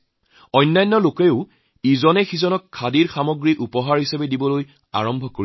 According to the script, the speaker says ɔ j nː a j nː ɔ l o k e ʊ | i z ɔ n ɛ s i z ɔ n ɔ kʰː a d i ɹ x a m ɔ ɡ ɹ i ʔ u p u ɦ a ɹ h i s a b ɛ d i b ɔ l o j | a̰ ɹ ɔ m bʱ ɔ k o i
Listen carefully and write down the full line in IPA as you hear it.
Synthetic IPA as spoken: ɔ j nː a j nː ɔ l o k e ʊ | i z ɔ n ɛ x i z ɔ n ɔ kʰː a d i ɹ x a m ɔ ɡ ɹ i ʔ u p ɔ ɦ a ɹ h i s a b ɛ d i b ɔ l o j | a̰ ɹ ɔ m bʱ ɔ k o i